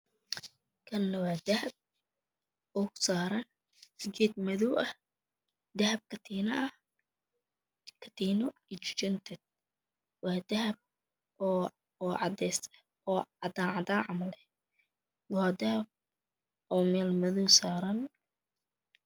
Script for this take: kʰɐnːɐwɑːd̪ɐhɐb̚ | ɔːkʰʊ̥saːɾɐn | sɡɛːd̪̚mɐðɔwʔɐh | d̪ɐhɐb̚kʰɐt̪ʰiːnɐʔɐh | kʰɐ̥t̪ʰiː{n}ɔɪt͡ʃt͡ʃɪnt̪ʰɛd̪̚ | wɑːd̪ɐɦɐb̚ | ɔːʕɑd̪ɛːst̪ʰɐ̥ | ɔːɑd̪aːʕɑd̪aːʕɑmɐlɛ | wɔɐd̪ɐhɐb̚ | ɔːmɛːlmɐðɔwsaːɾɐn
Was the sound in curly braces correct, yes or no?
yes